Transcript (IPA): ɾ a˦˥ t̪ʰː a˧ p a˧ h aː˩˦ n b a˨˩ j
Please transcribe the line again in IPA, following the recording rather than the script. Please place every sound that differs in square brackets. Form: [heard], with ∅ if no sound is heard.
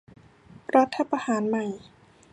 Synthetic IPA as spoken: ɾ a˦˥ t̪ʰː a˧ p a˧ h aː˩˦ n [m] a˨˩ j